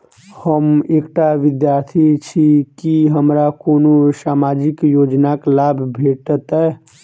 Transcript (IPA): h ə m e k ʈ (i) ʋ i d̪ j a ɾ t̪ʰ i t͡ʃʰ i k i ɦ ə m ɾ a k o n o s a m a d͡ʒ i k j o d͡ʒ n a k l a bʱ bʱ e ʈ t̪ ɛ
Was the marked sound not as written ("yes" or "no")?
yes